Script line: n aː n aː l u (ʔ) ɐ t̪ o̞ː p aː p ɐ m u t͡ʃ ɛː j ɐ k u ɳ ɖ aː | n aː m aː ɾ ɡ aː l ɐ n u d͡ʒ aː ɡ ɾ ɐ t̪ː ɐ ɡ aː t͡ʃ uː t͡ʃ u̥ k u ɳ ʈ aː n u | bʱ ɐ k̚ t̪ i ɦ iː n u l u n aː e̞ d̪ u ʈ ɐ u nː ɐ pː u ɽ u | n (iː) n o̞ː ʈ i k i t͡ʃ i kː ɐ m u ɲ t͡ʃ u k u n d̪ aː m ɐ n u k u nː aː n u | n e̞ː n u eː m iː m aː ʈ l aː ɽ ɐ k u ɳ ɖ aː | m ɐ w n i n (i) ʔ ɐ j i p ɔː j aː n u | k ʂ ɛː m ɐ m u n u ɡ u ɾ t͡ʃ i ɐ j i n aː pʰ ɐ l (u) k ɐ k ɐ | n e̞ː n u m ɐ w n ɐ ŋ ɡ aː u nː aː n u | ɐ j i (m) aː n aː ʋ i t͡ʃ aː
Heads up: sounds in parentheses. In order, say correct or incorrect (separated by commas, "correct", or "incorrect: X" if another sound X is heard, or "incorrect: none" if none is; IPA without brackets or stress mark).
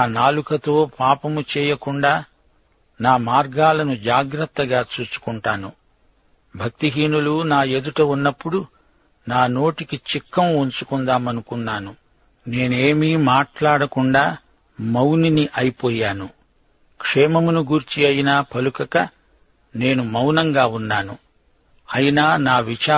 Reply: incorrect: k, incorrect: aː, correct, correct, incorrect: n